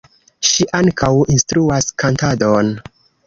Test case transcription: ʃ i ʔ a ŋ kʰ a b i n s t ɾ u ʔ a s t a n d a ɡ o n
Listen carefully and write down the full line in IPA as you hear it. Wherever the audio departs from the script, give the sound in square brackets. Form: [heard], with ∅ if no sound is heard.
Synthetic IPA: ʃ i ʔ a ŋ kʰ a [w] i n s t ɾ u [∅] a s [k] a n [t] a [d] o n

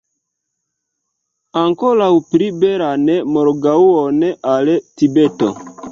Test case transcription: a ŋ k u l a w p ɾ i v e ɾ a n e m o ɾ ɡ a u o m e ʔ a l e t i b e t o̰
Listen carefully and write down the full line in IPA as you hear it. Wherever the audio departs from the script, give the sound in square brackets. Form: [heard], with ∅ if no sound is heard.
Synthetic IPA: a ŋ k [o] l a w p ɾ i [b] e ɾ a n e m o ɾ ɡ a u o [n] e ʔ a l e t i b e t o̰

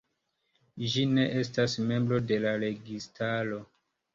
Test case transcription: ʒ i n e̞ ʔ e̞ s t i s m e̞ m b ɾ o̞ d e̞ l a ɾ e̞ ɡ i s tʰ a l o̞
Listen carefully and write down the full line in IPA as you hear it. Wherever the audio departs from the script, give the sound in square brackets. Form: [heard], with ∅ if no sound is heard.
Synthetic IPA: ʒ i n e̞ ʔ e̞ s t [a] s m e̞ m b ɾ o̞ d e̞ l a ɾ e̞ ɡ i s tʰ a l o̞

